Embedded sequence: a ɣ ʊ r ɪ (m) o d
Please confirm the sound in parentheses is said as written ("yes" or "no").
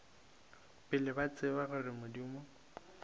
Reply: yes